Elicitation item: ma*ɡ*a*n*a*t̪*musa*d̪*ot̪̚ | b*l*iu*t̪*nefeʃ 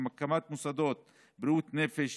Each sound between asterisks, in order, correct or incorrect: incorrect: k, incorrect: m, correct, correct, incorrect: ɾ, correct

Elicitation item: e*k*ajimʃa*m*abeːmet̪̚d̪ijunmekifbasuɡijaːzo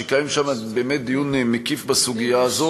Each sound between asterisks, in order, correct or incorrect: correct, correct

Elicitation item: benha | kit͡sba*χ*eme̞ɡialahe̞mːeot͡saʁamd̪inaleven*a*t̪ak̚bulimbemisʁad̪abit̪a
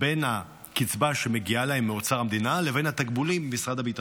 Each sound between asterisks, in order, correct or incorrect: incorrect: ʃ, correct

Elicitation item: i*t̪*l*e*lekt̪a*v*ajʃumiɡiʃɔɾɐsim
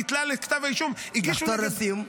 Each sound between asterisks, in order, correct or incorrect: correct, incorrect: a, correct

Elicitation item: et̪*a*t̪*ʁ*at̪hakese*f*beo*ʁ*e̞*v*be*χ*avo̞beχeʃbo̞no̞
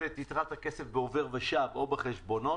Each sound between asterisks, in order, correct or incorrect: incorrect: i, correct, correct, incorrect: v, incorrect: ʁ, incorrect: ʃ

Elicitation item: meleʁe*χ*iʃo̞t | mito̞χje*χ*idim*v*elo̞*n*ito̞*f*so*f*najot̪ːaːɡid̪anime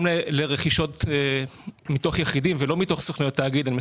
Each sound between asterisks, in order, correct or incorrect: correct, correct, correct, incorrect: m, incorrect: χ, incorrect: χ

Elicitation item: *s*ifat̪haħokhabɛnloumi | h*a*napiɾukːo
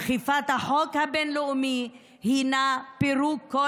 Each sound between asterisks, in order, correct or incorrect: incorrect: χ, incorrect: i

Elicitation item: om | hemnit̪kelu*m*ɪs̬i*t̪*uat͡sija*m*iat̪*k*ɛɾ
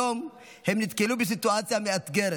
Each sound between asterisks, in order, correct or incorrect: incorrect: b, correct, correct, incorrect: ɡ

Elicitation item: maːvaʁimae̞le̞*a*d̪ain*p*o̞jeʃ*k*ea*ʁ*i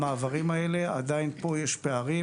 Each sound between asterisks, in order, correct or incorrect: correct, correct, incorrect: p, correct

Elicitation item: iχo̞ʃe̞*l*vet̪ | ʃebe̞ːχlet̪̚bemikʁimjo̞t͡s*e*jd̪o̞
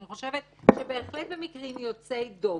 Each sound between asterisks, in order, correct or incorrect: incorrect: none, correct

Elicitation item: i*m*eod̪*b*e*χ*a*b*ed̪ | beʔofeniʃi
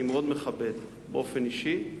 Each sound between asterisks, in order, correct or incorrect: correct, incorrect: m, correct, correct

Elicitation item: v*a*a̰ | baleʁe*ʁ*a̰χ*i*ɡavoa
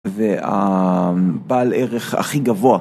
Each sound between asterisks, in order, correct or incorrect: incorrect: e, incorrect: χ, correct

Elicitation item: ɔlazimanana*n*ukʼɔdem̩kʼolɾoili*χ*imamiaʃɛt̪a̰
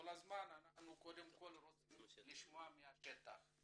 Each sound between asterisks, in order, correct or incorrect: correct, incorrect: ʃ

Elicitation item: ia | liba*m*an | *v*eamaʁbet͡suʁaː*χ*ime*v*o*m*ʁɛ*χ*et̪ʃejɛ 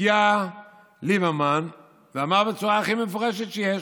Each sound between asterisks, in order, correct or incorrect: correct, correct, correct, incorrect: f, incorrect: none, incorrect: ʃ

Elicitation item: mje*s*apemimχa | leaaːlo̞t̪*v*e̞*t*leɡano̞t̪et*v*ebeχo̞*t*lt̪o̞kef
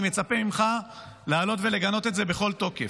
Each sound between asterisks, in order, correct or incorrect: incorrect: t͡s, correct, incorrect: none, incorrect: z, incorrect: none

